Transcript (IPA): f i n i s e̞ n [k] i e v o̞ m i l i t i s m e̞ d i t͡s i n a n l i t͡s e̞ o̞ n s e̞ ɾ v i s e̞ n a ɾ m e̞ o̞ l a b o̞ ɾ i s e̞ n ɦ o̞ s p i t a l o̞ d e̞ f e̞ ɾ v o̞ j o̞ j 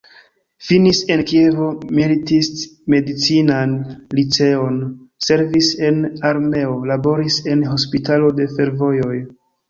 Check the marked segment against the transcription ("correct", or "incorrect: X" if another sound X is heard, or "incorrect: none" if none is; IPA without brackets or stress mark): correct